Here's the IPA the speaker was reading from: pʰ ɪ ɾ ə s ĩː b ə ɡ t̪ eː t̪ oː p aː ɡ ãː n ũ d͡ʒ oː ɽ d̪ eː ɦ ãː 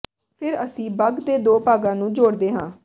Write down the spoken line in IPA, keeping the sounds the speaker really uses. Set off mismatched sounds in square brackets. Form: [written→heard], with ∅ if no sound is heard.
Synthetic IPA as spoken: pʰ ɪ ɾ ə s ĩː b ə ɡ [t̪→d̪] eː [t̪→d̪] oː p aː ɡ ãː n [ũ→ũː] d͡ʒ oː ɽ d̪ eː ɦ ãː